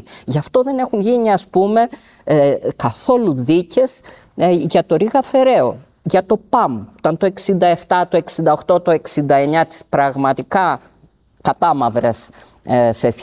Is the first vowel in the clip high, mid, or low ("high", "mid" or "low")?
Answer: low